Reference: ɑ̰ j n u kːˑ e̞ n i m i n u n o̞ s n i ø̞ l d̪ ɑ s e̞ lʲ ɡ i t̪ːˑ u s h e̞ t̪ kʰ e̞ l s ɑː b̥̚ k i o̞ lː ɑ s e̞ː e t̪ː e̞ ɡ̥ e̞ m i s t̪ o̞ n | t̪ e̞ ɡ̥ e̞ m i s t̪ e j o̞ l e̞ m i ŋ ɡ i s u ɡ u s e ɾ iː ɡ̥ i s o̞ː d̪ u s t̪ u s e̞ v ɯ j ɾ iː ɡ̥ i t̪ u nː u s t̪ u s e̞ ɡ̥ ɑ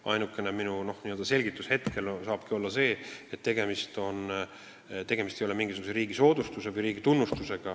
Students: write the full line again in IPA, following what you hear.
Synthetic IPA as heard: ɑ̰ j n u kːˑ e̞ n e m i n u n o̞ h n i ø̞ l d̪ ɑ s e̞ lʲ ɡ i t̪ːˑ u s h e̞ t̪ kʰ e̞ l s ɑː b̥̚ k i o̞ lː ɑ s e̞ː e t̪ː e̞ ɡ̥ e̞ m i s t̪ o̞ n | t̪ e̞ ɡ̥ e̞ m i s t̪ e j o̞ l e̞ m i ŋ ɡ i s u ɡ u s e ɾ iː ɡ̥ i s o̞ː d̪ u s t̪ u s e̞ v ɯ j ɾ iː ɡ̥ i t̪ u nː u s t̪ u s e̞ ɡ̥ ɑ